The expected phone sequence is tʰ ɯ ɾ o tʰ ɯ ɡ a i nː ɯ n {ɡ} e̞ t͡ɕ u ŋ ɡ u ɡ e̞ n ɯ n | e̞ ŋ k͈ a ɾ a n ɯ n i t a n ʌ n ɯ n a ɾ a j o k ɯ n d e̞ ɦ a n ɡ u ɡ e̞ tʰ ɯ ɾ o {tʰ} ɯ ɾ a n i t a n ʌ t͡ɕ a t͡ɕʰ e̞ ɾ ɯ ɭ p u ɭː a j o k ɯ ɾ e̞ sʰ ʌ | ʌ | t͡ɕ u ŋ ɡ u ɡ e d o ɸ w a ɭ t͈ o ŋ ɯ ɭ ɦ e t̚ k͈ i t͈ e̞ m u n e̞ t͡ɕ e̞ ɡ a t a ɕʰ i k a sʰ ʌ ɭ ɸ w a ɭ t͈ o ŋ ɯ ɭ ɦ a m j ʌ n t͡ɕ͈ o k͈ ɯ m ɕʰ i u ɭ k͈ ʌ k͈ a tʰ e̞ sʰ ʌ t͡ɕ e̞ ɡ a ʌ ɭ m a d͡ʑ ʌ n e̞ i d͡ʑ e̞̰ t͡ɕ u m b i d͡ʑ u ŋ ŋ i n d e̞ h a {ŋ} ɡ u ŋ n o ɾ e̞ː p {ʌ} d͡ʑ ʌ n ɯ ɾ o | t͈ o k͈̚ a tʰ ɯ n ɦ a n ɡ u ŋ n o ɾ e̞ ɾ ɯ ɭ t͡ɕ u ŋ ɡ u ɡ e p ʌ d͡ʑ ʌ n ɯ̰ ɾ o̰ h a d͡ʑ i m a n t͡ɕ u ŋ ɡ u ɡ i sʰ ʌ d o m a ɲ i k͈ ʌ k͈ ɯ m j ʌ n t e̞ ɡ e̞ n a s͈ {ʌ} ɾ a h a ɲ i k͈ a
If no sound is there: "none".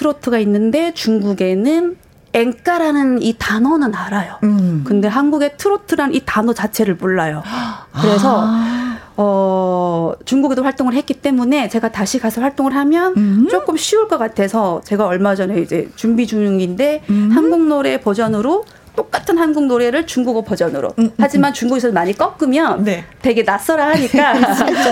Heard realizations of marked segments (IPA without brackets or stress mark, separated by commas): d, tʰ, n, ʌ, ʌ